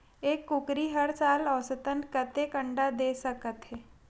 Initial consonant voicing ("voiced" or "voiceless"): voiceless